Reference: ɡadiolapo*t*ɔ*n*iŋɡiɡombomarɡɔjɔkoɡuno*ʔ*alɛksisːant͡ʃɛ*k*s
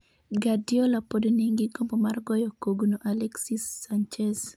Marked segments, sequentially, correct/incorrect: incorrect: d, correct, correct, incorrect: none

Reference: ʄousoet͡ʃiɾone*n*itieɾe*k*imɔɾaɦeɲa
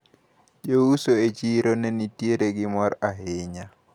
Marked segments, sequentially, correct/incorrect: correct, incorrect: ɡ

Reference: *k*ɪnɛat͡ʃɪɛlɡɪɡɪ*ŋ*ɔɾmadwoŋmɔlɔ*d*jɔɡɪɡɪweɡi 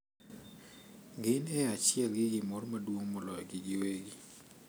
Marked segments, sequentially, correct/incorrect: incorrect: ɡ, incorrect: m, incorrect: none

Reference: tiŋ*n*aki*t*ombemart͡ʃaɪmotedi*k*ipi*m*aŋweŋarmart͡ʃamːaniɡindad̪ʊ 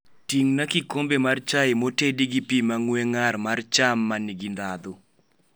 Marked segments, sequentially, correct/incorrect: correct, incorrect: k, incorrect: ɡ, correct

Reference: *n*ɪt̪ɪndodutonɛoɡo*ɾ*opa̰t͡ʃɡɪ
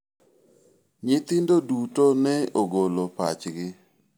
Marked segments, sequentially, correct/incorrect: incorrect: ɲ, incorrect: l

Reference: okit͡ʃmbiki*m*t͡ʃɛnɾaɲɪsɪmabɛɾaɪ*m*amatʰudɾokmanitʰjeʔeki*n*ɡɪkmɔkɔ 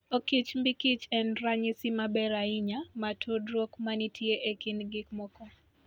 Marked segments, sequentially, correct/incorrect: incorrect: none, incorrect: ɲ, correct

